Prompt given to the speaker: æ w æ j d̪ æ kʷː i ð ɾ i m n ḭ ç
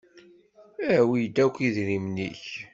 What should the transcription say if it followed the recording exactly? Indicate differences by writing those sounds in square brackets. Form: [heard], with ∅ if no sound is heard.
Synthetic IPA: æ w [i] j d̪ æ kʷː i ð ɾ i m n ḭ ç